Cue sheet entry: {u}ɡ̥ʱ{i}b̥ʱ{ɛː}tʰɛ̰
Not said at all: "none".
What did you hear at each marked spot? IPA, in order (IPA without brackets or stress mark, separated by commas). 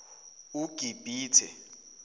u, i, iː